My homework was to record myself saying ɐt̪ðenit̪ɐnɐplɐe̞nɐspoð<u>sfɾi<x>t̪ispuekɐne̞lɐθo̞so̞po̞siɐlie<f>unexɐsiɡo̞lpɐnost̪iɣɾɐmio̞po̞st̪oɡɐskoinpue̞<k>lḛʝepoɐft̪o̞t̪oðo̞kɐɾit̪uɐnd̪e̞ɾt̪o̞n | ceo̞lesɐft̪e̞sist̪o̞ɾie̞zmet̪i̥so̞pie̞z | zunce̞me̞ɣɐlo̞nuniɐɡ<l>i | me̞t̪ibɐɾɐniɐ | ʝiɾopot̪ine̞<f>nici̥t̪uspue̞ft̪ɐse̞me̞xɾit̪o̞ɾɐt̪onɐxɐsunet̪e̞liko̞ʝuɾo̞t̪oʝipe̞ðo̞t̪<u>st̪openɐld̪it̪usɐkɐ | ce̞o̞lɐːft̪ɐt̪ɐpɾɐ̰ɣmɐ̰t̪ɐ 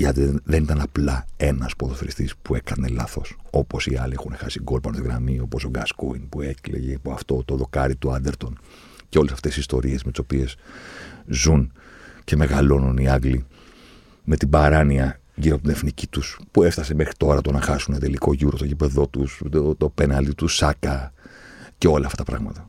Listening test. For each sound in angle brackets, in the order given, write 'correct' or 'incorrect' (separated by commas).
incorrect, incorrect, incorrect, correct, correct, correct, correct